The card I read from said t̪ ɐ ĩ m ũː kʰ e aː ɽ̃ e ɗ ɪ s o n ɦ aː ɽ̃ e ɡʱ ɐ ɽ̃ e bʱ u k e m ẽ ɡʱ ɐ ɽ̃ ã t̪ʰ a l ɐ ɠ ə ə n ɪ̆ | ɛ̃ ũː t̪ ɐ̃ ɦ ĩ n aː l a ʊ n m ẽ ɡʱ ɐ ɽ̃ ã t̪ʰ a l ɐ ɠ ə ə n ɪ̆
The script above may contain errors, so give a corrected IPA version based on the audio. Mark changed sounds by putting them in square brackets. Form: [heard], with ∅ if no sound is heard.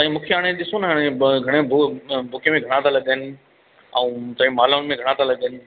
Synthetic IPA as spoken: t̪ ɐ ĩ m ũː kʰ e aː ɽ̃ e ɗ ɪ s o n ɦ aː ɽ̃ e ɡʱ ɐ ɽ̃ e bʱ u k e m ẽ ɡʱ ɐ ɽ̃ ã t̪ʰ a l ɐ ɠ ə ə n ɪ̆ | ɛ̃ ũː t̪ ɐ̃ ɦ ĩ [m] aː l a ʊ n m ẽ ɡʱ ɐ ɽ̃ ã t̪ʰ a l ɐ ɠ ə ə n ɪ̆

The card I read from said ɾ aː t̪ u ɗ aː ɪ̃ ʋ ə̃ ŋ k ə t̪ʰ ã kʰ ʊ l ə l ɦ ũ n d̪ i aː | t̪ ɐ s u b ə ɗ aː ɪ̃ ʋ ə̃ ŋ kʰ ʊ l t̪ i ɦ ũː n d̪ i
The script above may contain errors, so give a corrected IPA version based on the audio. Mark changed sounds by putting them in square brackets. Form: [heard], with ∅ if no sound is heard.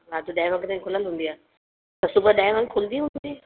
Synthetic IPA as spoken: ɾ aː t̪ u ɗ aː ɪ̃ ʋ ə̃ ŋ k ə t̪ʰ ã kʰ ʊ l ə l ɦ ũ n d̪ i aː | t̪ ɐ s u b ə ɗ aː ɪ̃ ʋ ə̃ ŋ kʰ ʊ l [d̪] i ɦ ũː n d̪ i

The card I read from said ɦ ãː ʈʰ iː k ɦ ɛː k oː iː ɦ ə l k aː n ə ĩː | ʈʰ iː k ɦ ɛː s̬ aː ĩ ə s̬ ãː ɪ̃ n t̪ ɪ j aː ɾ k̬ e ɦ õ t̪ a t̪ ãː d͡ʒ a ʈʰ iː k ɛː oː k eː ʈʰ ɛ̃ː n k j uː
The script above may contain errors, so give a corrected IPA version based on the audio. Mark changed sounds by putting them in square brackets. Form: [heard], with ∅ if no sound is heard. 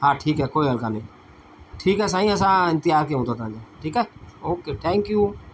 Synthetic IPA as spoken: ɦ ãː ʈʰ iː k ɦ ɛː k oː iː ɦ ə l k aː n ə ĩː | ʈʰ iː k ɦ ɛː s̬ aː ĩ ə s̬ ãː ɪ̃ n t̪ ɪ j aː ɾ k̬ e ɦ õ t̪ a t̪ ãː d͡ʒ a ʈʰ iː k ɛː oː k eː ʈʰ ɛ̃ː [ŋ] k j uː

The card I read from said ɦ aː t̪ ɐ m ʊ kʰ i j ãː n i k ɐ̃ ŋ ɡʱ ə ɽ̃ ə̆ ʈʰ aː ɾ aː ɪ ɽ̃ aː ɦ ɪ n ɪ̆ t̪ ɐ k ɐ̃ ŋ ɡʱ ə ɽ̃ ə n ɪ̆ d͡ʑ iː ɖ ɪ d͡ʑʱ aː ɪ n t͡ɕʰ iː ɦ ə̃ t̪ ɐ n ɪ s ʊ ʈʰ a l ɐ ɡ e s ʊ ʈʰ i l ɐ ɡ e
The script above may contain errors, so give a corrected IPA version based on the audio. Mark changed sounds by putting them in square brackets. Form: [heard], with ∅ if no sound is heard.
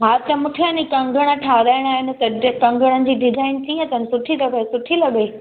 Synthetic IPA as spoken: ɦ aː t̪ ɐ m ʊ [ʈʰ] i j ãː n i k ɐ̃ ŋ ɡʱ ə ɽ̃ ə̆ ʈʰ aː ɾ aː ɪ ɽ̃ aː ɦ ɪ n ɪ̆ t̪ ɐ k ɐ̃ ŋ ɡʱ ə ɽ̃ ə n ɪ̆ d͡ʑ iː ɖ ɪ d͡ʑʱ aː ɪ n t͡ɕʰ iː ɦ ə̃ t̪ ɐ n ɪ s ʊ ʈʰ [i] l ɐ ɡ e s ʊ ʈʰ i l ɐ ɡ e

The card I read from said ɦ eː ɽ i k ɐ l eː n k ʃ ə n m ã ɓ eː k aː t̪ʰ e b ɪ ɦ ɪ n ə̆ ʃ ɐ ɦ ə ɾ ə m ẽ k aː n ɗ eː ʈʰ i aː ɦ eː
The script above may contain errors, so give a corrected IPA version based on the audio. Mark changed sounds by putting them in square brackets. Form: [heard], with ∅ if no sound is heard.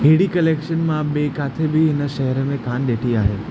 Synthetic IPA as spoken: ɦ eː ɽ i k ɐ l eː [∅] k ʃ ə n m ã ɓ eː k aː t̪ʰ e b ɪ ɦ ɪ n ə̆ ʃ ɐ ɦ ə ɾ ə m ẽ k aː n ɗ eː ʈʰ i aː ɦ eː

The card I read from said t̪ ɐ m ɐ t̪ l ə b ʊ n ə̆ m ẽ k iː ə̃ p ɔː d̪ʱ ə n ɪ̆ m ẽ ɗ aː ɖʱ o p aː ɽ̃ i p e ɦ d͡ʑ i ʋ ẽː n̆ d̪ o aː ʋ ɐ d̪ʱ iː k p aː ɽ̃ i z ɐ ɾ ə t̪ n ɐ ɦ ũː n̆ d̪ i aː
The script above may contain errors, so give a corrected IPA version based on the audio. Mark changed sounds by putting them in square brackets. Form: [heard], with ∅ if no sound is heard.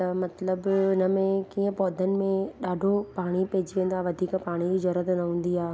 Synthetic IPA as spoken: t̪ ɐ m ɐ t̪ l ə b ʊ n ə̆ m ẽ k iː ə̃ p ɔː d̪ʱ ə n ɪ̆ m ẽ ɗ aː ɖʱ o p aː ɽ̃ i p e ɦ d͡ʑ i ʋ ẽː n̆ d̪ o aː ʋ ɐ d̪ʱ iː k p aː ɽ̃ i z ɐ ɾ ə t̪ n ɐ ɦ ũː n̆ d̪ i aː

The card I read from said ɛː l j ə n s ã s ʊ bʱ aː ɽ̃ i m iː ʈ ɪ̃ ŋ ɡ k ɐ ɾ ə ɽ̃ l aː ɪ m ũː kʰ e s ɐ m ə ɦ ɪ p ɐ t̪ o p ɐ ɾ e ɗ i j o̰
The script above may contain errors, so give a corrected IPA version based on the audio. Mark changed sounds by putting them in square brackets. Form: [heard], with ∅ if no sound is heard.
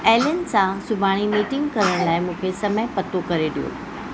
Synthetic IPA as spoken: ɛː l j ə n s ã s ʊ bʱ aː ɽ̃ i m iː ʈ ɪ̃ ŋ ɡ k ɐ ɾ ə ɽ̃ l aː ɪ m ũː kʰ e s ɐ m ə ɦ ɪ p ɐ t̪ o [k] ɐ ɾ e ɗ i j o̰

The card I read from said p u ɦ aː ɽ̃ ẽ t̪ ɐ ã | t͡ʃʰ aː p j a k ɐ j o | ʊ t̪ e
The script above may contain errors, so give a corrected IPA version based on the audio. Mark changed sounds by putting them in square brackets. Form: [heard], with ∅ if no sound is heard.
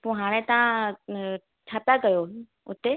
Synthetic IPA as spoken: p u ɦ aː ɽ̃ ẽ t̪ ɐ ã | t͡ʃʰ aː p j a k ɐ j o | ʊ t̪ e

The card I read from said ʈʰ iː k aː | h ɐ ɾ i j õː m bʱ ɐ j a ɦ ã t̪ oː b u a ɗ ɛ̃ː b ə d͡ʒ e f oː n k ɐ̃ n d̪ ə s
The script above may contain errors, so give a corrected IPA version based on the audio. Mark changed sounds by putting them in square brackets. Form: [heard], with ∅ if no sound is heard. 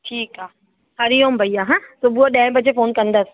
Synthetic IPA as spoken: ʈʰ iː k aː | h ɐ ɾ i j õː m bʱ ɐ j a ɦ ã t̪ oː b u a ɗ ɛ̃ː b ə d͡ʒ e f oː n k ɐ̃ n d̪ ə s

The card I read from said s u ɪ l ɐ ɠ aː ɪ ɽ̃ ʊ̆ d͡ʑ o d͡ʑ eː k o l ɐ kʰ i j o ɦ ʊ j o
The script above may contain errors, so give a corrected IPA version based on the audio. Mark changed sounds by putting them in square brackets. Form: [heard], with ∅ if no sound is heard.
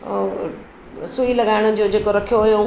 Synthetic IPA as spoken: s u [i] l ɐ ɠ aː ɪ ɽ̃ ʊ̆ d͡ʑ o d͡ʑ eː k o [ɾ] ɐ kʰ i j o ɦ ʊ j o

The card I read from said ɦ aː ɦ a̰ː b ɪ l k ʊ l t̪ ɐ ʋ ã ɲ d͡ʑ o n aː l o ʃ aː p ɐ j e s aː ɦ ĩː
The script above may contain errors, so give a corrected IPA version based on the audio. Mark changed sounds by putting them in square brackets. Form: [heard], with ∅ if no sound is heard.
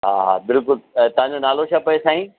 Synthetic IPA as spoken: ɦ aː ɦ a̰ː b ɪ l k ʊ l t̪ ɐ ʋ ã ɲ d͡ʑ o n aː l o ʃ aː p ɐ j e s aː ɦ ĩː

